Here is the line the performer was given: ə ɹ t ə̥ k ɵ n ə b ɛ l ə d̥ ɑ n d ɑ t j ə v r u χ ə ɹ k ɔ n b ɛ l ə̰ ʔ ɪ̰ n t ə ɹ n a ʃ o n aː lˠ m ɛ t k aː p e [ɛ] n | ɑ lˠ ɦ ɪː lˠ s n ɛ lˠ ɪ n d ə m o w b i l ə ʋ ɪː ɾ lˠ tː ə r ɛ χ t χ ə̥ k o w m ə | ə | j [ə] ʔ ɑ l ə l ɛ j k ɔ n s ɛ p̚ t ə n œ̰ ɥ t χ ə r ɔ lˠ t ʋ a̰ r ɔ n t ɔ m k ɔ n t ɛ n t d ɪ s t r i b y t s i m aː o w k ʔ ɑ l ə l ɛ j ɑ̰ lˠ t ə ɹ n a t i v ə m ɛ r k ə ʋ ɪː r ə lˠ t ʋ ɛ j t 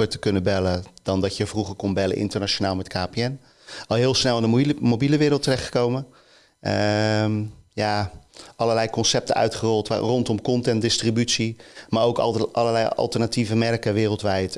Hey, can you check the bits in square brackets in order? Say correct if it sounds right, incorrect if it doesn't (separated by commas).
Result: correct, incorrect